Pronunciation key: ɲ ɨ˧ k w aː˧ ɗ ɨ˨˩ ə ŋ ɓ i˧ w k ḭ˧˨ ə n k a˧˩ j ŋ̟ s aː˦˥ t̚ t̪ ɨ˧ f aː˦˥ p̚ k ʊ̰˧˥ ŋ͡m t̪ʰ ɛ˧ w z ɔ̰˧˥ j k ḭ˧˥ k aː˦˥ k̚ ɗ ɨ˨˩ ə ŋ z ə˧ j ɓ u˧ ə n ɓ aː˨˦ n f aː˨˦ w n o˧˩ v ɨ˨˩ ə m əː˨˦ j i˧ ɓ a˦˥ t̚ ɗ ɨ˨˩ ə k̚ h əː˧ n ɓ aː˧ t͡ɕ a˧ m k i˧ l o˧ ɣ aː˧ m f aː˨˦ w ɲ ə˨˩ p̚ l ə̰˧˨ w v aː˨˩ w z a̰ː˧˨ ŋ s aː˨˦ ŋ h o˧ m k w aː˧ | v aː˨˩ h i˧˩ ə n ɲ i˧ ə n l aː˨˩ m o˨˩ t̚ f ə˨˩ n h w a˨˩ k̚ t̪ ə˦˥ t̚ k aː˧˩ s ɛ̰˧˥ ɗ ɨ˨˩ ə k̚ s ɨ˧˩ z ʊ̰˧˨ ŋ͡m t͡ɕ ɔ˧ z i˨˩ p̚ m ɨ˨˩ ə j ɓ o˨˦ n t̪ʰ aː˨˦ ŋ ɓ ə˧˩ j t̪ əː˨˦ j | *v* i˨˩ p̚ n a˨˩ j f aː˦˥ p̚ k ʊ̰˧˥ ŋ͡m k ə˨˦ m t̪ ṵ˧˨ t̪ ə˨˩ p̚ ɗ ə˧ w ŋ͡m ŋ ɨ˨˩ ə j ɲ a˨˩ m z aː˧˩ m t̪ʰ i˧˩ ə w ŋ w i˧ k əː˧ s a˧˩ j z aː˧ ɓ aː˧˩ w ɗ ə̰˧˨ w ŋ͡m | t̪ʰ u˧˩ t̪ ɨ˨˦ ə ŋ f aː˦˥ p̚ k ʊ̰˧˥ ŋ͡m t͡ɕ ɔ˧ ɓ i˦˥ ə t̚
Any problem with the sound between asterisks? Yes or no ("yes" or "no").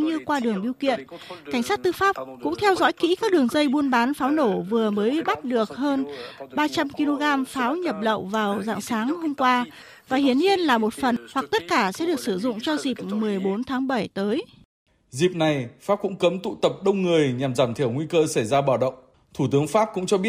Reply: yes